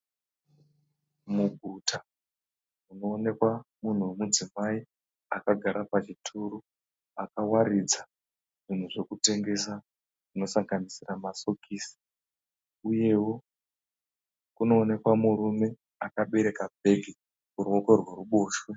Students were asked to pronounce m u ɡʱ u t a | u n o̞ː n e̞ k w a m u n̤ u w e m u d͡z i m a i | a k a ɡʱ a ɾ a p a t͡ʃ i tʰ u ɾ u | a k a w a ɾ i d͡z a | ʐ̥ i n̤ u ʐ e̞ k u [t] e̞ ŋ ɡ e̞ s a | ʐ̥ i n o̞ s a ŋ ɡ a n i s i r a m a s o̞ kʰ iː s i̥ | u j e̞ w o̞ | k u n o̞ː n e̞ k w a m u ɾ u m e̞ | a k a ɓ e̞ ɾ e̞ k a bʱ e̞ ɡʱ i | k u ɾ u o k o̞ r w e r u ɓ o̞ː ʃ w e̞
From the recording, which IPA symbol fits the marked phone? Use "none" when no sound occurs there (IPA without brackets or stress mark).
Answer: t